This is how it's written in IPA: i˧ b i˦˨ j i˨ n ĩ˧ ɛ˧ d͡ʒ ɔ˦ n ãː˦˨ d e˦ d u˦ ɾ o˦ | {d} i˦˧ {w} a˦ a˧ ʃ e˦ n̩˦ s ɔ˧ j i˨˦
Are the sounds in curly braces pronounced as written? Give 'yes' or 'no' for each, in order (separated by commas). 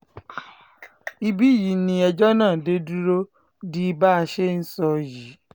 yes, no